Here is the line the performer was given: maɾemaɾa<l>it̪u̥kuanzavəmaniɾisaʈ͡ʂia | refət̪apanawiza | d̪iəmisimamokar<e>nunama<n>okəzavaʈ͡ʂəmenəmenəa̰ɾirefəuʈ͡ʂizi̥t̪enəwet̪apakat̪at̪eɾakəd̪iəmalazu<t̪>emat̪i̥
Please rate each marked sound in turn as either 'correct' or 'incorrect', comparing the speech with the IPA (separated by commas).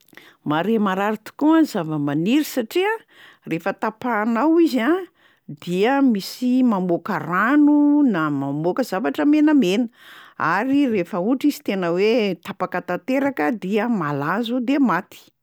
incorrect, incorrect, incorrect, incorrect